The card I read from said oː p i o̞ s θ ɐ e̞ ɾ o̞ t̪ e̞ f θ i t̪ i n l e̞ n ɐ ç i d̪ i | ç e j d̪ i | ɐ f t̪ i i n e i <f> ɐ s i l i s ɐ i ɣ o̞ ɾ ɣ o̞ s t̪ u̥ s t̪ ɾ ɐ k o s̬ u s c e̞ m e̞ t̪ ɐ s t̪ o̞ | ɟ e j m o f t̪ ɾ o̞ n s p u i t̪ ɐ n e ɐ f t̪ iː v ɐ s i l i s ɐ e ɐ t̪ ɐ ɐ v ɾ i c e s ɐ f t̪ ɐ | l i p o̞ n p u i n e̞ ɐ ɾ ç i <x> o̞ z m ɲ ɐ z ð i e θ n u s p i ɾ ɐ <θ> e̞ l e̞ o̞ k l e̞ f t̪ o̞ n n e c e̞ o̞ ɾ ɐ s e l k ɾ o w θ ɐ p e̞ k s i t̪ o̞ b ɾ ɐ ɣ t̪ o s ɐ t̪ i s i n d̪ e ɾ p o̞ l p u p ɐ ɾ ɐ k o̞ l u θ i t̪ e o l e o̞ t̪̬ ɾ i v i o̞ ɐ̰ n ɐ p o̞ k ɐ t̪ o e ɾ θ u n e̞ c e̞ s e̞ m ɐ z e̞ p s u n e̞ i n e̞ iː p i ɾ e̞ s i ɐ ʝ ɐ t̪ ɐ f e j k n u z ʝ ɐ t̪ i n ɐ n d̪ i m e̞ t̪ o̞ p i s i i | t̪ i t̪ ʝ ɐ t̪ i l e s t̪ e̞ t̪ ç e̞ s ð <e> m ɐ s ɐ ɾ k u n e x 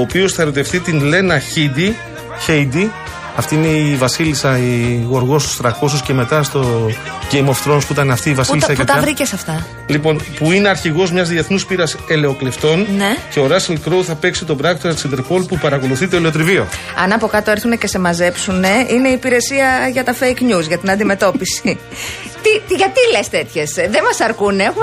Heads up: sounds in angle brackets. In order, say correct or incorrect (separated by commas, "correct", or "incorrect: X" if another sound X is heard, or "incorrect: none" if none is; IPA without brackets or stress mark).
incorrect: v, incorrect: ɣ, incorrect: s, correct